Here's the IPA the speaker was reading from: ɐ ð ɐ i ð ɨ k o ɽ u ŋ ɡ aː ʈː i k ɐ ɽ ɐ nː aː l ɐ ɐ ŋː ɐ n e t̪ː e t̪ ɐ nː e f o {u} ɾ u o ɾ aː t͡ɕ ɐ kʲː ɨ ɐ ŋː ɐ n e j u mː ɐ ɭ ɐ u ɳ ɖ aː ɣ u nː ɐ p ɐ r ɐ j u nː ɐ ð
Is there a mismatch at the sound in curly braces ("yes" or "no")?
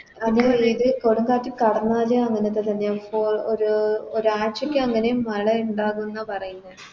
yes